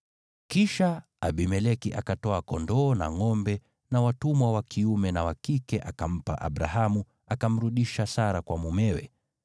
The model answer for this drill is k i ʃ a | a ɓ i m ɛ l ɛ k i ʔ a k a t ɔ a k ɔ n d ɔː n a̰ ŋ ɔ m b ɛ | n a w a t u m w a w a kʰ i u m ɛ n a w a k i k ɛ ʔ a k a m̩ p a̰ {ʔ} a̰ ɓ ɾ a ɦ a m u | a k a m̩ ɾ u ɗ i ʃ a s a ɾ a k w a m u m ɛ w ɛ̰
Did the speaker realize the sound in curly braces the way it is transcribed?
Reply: yes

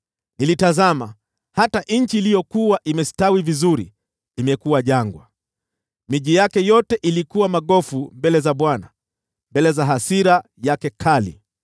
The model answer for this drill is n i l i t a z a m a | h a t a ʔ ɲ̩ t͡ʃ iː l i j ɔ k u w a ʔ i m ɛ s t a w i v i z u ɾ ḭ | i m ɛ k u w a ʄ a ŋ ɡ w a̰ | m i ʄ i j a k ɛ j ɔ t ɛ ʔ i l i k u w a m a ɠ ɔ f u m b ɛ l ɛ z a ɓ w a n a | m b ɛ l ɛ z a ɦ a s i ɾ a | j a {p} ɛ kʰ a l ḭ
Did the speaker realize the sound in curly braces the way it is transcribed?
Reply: no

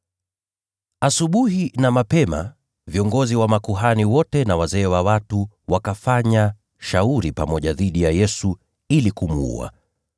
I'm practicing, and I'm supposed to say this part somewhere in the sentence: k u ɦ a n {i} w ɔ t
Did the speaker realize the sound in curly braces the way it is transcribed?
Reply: yes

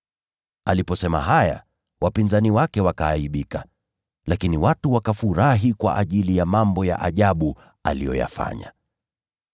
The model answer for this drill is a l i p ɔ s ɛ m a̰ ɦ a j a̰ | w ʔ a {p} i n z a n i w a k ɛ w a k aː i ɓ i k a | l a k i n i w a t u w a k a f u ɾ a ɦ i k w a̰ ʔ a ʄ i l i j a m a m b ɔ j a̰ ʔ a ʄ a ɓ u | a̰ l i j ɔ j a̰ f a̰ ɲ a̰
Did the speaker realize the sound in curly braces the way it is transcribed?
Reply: yes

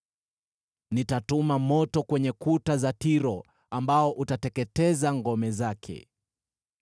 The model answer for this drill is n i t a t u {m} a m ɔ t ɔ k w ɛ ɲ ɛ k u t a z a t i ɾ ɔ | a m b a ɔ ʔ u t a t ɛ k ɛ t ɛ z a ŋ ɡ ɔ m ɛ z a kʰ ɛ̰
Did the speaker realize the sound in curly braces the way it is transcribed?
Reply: yes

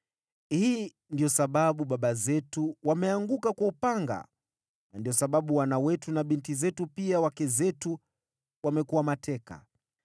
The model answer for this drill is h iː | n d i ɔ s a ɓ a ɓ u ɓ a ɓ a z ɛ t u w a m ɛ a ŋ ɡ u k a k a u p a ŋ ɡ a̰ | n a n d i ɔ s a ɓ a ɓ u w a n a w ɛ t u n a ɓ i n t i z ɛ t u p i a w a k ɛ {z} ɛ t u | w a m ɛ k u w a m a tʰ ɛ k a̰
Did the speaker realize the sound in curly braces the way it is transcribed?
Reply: yes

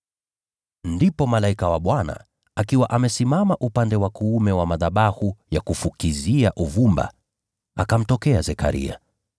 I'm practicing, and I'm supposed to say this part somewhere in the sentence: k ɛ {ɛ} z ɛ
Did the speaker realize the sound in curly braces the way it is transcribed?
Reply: no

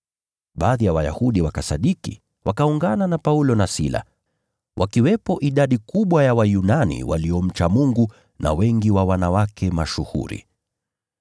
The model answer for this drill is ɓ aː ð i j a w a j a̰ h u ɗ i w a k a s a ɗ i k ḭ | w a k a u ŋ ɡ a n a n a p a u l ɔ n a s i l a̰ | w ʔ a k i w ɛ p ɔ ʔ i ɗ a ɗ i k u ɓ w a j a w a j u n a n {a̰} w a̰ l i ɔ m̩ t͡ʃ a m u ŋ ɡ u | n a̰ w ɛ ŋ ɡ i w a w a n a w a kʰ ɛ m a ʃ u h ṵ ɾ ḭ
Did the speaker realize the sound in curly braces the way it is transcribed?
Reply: no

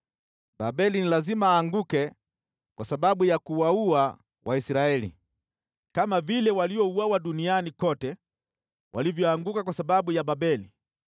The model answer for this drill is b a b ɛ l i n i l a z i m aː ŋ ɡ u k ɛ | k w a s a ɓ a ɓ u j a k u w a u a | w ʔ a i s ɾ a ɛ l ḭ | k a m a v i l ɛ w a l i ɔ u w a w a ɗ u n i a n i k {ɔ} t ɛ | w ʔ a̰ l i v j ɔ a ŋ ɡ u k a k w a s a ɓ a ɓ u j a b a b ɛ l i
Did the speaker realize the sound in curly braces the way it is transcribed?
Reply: yes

